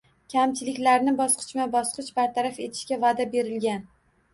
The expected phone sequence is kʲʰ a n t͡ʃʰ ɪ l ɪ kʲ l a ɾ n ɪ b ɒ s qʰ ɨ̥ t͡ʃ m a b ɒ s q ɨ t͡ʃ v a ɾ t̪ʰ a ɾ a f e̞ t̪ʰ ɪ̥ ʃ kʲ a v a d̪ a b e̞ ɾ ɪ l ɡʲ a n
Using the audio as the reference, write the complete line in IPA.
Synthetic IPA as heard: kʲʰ a m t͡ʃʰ ɪ l ɪ kʲ l a ɾ n ɪ b ɒ s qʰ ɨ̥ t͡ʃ m a b ɒ s q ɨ t͡ʃ b a ɾ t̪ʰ a ɾ a f e̞ t̪ʰ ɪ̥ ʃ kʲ a v a d̪ a b e̞ ɾ ɪ l ɡʲ a n